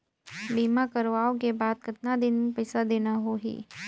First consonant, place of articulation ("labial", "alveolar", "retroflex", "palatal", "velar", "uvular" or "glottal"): labial